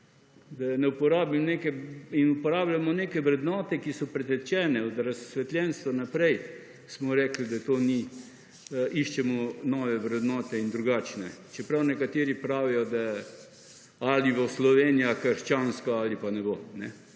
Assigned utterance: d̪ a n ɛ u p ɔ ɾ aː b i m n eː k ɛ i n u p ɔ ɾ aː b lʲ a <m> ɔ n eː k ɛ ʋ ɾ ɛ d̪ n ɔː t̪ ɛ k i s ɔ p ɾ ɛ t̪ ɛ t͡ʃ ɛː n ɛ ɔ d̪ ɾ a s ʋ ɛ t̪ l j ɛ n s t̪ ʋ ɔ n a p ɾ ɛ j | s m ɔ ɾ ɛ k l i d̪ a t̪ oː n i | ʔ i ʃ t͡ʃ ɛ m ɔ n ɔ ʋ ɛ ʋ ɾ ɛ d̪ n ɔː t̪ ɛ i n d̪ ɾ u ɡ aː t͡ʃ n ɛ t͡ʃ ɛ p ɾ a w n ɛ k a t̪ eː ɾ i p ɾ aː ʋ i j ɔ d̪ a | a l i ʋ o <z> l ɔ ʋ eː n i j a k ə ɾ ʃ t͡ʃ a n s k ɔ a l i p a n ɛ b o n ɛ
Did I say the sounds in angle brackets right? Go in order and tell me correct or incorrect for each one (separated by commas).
correct, incorrect